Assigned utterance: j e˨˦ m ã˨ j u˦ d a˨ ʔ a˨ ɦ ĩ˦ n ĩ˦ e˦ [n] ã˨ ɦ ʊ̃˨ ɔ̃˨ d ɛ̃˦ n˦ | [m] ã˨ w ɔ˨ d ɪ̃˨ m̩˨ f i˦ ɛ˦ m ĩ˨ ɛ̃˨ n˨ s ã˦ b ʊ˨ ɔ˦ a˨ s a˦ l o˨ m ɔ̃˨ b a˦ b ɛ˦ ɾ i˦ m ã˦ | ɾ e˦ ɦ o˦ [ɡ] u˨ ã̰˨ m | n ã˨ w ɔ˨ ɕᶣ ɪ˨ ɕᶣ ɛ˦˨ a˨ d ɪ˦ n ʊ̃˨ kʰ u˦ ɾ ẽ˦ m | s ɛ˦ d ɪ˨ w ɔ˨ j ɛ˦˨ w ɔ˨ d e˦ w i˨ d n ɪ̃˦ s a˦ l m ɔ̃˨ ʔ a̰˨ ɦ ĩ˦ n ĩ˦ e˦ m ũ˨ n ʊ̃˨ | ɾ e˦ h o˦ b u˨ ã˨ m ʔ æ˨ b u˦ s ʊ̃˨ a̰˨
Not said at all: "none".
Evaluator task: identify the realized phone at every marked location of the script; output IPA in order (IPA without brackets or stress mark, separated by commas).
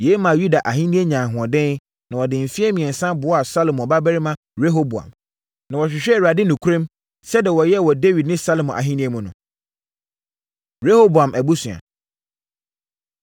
ɲ, n, b